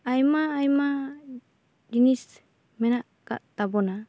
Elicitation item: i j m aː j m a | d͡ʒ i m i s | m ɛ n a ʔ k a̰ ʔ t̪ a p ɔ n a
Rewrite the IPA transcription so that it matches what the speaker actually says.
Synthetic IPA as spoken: a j m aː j m a | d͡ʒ i n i s | m ɛ n a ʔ k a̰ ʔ t̪ a b ɔ n a